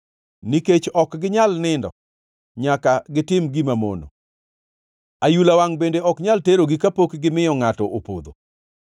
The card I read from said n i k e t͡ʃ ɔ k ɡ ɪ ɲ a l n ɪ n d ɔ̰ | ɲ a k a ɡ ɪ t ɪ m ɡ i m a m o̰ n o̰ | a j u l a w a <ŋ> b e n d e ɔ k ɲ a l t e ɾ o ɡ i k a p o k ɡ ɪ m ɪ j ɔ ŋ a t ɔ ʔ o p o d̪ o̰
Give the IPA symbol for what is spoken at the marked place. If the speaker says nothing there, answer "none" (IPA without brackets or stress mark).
ŋ